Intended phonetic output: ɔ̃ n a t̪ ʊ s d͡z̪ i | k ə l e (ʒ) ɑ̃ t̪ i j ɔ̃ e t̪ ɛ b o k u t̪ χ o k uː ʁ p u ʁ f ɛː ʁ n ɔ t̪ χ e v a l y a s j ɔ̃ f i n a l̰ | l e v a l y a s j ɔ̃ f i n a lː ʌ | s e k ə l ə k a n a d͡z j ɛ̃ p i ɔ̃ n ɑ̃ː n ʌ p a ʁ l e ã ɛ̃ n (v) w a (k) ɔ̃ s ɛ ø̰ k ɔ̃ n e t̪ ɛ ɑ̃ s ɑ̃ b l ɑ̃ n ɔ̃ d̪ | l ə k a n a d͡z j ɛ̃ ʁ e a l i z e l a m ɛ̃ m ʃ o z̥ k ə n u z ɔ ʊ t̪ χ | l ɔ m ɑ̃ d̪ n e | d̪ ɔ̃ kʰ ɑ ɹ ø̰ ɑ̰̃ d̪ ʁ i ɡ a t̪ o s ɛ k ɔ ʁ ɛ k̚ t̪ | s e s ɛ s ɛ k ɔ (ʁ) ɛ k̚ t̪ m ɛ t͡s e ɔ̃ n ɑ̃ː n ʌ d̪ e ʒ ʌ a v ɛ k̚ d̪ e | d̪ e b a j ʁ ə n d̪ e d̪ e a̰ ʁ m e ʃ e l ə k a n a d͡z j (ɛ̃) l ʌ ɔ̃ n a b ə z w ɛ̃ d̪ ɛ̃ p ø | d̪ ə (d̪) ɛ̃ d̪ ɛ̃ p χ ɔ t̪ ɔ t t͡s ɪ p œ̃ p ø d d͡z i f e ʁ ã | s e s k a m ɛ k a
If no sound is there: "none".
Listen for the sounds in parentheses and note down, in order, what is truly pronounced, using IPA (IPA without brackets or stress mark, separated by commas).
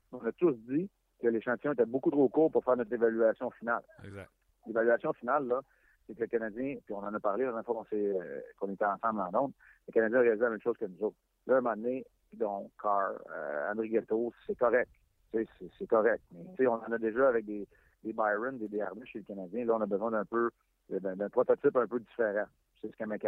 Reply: ʃ, f, k, ʁ, ɛ̃, d̪